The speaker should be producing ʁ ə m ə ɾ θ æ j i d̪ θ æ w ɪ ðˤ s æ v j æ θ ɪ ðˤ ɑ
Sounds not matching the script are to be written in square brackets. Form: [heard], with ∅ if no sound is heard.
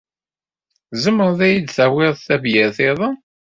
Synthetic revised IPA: [z] ə m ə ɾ [ð] æ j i d̪ θ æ w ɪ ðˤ [θ] æ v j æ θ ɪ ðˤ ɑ